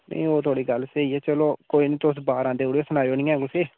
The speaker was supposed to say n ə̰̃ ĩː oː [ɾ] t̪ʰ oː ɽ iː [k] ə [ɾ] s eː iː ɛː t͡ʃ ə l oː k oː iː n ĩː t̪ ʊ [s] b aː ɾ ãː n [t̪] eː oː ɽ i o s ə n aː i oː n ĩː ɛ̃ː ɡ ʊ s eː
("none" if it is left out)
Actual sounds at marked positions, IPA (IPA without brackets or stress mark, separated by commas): none, ɡ, l, s, d̪